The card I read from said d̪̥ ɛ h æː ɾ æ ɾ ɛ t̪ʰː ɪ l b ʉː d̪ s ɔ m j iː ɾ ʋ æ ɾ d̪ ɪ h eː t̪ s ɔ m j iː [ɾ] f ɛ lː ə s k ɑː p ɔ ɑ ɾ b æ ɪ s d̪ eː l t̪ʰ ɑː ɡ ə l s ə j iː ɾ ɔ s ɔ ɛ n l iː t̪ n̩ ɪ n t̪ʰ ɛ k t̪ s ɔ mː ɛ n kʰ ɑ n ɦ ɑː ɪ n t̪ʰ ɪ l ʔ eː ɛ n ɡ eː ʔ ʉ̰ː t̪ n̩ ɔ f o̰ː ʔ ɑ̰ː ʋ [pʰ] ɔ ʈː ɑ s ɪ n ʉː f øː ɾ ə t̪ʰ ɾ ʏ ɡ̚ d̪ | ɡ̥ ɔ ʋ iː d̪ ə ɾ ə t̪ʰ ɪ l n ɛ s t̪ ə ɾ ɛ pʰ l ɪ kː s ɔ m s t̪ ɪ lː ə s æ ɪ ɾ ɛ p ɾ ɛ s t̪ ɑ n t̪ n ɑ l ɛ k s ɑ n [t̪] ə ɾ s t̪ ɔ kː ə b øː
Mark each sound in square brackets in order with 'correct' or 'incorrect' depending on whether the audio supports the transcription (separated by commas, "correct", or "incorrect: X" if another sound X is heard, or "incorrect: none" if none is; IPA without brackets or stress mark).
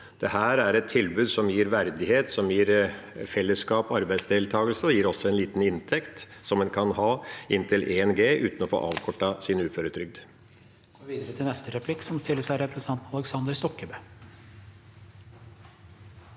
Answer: correct, incorrect: kʰ, incorrect: d̪